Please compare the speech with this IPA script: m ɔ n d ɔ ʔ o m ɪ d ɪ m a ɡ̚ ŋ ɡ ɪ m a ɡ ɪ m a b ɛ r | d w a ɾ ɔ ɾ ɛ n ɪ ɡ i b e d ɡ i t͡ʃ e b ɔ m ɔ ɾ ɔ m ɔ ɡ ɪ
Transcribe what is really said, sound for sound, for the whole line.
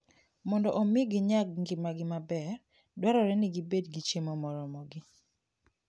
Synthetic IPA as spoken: m ɔ n d ɔ ʔ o m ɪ ɡ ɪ ɲ a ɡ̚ ŋ ɡ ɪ m a ɡ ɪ m a b ɛ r | d w a ɾ ɔ ɾ ɛ n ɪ ɡ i b e d ɡ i t͡ʃ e m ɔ m ɔ ɾ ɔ m ɔ ɡ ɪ